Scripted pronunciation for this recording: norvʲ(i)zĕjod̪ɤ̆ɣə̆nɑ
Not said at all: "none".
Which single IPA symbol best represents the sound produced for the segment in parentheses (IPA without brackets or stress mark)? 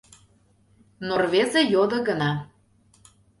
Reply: e